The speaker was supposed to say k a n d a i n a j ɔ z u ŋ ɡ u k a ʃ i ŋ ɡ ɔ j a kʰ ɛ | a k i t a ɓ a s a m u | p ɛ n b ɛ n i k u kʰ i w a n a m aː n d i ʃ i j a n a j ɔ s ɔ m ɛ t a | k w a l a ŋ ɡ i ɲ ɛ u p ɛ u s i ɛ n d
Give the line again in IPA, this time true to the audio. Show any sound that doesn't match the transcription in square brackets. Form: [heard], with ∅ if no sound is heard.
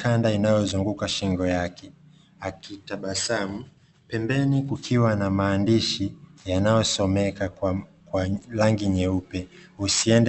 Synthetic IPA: k a n d a i n a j ɔ z u ŋ ɡ u k a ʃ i ŋ ɡ ɔ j a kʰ ɛ | a k i t a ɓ a s a m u | p ɛ [m] b ɛ n i k u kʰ i w a n a m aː n d i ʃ i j a n a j ɔ s ɔ m ɛ [k] a | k w a l a ŋ ɡ i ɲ ɛ u p ɛ u s i ɛ n d